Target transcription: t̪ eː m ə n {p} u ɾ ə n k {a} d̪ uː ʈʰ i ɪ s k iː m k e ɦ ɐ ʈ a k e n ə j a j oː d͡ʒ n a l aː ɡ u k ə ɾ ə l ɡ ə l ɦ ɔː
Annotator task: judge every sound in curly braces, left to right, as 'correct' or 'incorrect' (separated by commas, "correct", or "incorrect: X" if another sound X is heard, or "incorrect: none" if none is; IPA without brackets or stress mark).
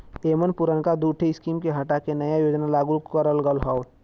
correct, correct